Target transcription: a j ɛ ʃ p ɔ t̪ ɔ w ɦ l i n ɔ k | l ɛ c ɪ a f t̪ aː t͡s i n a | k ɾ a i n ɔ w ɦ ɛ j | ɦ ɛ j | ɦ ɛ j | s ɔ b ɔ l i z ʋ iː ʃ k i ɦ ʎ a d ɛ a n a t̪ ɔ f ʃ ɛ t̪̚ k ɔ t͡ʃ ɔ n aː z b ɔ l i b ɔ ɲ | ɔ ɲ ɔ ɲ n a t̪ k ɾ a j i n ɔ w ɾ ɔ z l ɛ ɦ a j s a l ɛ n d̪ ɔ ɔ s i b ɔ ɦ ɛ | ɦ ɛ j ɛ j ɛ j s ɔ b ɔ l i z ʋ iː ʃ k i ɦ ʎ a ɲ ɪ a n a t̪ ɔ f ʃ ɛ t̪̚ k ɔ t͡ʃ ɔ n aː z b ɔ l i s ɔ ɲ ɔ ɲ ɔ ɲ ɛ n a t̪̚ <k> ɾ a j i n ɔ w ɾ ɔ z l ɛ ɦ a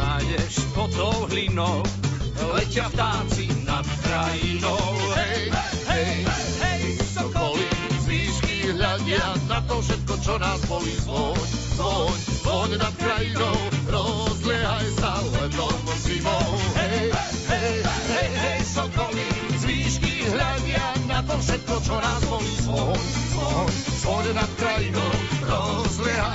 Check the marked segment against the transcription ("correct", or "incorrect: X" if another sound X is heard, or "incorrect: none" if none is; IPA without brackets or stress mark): correct